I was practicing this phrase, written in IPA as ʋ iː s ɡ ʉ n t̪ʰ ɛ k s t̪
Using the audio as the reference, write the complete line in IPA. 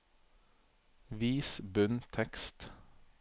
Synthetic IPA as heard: ʋ iː s b ʉ n t̪ʰ ɛ k s t̪

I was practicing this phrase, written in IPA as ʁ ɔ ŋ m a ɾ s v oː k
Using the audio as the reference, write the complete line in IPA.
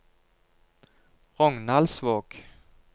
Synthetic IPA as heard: ʁ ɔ ŋ n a l s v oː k

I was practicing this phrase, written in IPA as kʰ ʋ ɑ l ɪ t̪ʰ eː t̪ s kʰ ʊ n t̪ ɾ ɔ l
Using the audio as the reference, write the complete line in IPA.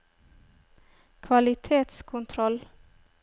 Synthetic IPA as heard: kʰ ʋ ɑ l ɪ t̪ʰ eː t̪ s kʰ ʊ n t̪ʰ ɾ ɔ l

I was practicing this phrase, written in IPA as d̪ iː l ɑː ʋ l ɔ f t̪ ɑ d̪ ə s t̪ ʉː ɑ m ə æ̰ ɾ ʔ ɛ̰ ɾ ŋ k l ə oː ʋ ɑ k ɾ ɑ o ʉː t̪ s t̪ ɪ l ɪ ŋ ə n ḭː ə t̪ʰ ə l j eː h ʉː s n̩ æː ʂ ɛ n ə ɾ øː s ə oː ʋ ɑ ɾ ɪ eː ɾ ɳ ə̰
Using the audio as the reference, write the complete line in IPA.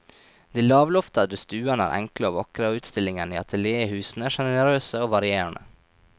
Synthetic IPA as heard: d̪ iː l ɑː ʋ l ɔ f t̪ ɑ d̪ ə s t̪ ʉː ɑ n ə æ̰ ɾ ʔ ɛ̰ ŋ k l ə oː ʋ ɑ k ɾ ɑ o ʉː t̪ s t̪ ɪ l ɪ ŋ ə n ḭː ɑ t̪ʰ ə l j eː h ʉː s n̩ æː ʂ ɛ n ə ɾ øː s ə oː ʋ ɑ ɾ ɪ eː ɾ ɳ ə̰

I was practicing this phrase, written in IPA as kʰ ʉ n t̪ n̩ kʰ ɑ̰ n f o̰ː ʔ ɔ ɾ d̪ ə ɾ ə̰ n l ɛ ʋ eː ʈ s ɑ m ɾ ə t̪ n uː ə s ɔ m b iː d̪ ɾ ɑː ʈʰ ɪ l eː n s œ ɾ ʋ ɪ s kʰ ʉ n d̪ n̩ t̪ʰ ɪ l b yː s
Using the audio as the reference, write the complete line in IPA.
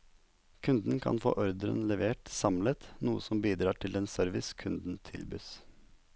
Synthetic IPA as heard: kʰ ʉ n d̪ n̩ kʰ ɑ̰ n f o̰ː ʔ ɔ ɾ d̪ ə ɾ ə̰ n l ɛ ʋ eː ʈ s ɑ m l ə t̪ n uː ə s ɔ m b iː d̪ ɾ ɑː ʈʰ ɪ l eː n s œ ɾ ʋ ɪ s kʰ ʉ n d̪ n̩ t̪ʰ ɪ l b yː s

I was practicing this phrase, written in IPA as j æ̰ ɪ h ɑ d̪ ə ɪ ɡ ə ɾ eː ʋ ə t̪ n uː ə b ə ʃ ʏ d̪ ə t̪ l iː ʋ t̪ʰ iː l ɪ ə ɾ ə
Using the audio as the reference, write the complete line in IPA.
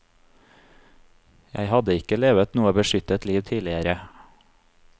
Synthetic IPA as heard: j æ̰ ɪ h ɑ d̪ ə ɪ k ə l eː ʋ ə t̪ n uː ə b ə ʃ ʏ t̪ ə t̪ l iː ʋ t̪ʰ iː l ɪ ə ɾ ə

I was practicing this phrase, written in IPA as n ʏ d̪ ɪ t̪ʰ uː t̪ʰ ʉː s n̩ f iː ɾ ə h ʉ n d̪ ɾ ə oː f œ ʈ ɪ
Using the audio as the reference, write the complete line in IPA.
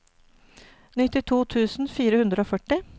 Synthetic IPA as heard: n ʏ t̪ ɪ t̪ʰ uː t̪ʰ ʉː s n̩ f iː ɾ ə h ʉ n d̪ ɾ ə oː f œ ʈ ɪ

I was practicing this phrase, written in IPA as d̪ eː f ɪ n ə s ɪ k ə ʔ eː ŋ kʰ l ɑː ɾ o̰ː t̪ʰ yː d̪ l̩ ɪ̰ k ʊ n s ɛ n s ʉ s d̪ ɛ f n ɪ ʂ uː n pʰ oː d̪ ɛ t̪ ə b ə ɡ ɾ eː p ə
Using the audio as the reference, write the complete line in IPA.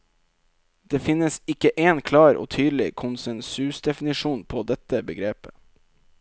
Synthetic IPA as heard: d̪ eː f ɪ n ə s ɪ k ə ʔ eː n kʰ l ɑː ɾ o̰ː t̪ʰ yː d̪ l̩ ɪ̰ kʰ ʊ n s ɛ n s ʉ s d̪ ɛ f n ɪ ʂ uː n pʰ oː d̪ ɛ t̪ ə b ə ɡ ɾ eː p ə

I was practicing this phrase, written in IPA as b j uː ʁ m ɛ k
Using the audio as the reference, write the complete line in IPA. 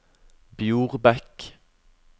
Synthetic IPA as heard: b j uː ʁ b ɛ k

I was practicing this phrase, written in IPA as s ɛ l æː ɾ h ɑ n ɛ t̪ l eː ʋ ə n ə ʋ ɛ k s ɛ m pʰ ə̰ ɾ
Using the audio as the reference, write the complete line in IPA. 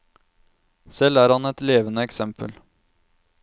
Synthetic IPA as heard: s ɛ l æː ɾ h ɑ n ɛ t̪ l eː ʋ ə n ə ɛ k s ɛ m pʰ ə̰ l

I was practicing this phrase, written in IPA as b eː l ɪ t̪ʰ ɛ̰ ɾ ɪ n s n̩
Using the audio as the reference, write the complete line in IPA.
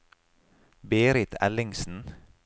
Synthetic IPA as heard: b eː ɾ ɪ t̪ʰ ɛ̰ l ɪ ŋ s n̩

